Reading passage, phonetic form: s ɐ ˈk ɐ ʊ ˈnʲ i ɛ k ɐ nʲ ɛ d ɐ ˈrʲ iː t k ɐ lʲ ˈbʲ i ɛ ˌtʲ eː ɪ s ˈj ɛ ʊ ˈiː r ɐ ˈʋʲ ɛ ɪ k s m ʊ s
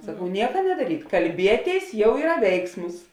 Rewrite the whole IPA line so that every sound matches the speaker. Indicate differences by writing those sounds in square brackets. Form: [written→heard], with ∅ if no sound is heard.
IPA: s ɐ ˈk ɐ ʊ ˈnʲ i ɛ k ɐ nʲ ɛ d ɐ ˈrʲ iː t k ɐ lʲ ˈbʲ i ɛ ˌtʲ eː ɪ s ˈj ɛ ʊ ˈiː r ɐ ˈʋʲ ɛ ɪ k s m ʊ s